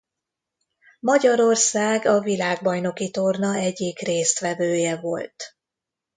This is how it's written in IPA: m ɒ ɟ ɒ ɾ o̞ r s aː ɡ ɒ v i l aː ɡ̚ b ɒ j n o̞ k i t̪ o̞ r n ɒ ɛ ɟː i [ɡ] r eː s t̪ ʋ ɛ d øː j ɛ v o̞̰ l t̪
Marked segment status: incorrect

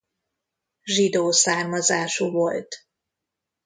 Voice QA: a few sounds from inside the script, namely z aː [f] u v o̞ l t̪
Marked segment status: incorrect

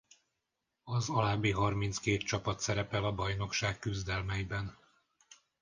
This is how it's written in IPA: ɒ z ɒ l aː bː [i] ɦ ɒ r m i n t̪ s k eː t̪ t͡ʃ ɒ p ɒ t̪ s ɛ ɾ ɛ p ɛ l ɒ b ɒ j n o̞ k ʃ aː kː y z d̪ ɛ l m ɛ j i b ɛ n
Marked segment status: correct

